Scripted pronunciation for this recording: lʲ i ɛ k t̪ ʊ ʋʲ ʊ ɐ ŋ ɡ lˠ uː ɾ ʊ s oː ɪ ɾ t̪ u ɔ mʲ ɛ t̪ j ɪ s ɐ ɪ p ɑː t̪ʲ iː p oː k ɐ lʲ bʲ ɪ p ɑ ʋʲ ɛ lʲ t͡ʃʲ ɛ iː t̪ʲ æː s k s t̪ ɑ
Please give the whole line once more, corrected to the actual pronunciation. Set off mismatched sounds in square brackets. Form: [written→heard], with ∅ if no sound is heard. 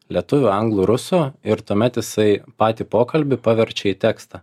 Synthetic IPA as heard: lʲ i ɛ [k→∅] t̪ ʊ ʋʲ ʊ ɐ ŋ ɡ lˠ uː ɾ ʊ s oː ɪ ɾ t̪ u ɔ mʲ ɛ t̪ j ɪ s ɐ ɪ p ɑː t̪ʲ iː p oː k ɐ lʲ bʲ ɪ p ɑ ʋʲ ɛ [lʲ→ɾʲ] t͡ʃʲ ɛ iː t̪ʲ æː [s→∅] k s t̪ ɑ